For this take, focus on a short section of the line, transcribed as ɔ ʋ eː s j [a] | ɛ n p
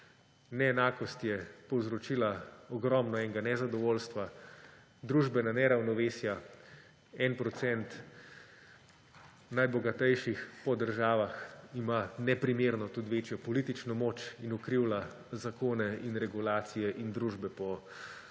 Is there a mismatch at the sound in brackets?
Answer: no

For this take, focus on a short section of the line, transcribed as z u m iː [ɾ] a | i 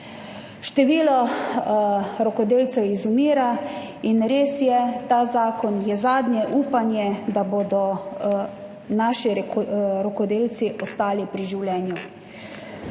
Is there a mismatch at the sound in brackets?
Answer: no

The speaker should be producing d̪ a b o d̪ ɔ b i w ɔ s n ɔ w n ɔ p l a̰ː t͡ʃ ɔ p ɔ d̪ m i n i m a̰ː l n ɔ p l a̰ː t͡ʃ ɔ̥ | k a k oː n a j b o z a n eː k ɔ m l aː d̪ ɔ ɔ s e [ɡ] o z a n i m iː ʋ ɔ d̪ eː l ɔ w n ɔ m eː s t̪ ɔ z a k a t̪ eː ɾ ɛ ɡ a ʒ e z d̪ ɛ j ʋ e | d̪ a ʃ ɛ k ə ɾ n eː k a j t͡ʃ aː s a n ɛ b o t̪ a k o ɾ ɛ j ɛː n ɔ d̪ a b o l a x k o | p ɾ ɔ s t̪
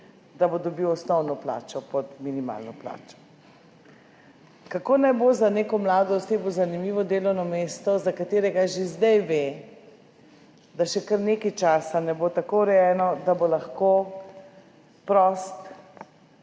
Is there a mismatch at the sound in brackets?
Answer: yes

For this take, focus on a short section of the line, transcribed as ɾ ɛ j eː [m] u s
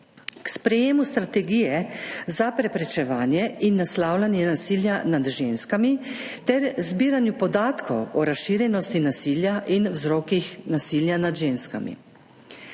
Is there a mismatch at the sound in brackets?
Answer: no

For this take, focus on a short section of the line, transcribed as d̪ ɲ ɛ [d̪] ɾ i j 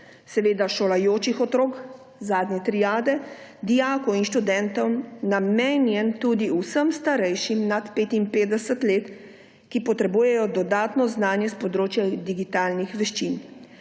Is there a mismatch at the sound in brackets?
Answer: yes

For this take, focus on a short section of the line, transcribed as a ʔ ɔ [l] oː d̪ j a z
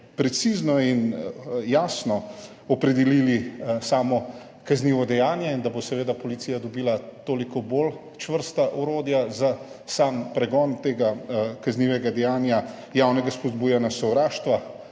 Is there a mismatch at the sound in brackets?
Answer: yes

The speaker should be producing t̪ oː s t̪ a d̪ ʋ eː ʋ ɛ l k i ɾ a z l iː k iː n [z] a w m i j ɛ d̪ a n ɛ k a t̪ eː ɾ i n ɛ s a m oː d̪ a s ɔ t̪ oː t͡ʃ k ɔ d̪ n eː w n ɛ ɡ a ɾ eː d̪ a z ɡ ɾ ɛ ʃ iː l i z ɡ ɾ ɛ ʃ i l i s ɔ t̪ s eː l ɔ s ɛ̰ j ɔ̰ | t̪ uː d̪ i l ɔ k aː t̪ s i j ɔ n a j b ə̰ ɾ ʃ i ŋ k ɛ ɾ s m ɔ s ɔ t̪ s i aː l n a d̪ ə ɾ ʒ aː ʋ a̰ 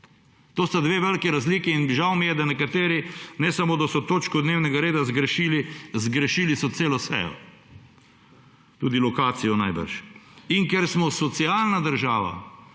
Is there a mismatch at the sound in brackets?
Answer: yes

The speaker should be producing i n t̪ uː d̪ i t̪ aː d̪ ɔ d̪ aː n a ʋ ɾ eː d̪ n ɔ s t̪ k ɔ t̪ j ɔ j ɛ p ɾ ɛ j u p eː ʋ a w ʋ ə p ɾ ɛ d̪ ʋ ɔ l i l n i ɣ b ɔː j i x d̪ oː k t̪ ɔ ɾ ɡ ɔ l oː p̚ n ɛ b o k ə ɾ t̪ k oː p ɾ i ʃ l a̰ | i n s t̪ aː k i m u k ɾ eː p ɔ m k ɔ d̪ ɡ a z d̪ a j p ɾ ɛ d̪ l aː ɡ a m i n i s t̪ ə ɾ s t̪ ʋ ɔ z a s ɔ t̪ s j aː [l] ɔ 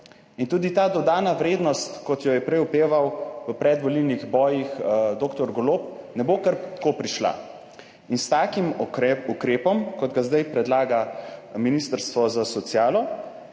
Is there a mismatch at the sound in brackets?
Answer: no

